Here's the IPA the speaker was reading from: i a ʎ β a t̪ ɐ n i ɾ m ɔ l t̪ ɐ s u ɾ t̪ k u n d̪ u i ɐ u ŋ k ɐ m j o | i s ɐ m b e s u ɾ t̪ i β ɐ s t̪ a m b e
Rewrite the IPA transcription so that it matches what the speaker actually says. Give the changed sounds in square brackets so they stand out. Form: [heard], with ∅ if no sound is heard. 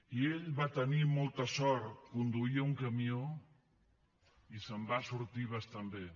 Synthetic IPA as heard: i [e] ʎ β a t̪ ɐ n i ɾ m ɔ l t̪ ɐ s [ɔ] ɾ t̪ k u n d̪ u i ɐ u ŋ k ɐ m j o | i s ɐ m b [a] s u ɾ t̪ i β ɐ s t̪ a m b e